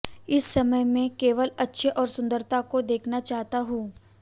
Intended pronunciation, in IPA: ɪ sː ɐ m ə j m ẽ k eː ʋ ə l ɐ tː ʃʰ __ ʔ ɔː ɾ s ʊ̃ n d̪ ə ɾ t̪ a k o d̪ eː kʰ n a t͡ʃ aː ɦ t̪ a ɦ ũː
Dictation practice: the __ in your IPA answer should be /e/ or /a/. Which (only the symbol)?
e